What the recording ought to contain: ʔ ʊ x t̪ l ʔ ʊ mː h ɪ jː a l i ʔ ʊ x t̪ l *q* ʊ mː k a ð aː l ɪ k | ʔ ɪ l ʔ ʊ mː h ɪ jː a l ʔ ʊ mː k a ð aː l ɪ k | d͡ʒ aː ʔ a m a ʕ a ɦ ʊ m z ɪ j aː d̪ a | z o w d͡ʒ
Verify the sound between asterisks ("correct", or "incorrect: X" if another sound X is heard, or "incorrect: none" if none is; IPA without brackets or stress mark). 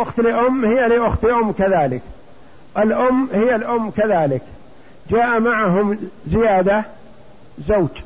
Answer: incorrect: ʔ